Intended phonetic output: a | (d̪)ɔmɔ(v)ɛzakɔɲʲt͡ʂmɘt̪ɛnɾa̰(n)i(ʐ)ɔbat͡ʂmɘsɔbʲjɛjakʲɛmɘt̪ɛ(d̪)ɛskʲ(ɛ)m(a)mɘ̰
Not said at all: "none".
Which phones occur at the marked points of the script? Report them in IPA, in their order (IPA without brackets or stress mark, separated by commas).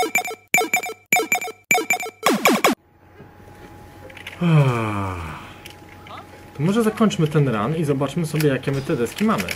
t̪, ʐ, n, z, d̪, i, a